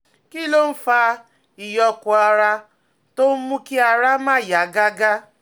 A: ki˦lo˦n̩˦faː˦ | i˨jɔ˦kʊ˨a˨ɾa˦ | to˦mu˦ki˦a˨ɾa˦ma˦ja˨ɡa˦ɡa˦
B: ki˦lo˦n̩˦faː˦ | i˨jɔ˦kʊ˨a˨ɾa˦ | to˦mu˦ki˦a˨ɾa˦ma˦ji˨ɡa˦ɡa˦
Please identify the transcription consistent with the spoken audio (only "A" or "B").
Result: A